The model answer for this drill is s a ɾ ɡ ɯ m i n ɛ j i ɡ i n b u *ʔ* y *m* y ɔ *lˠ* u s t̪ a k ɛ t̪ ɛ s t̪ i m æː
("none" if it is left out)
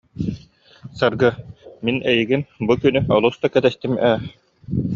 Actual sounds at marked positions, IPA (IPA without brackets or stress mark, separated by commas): k, n, lˠ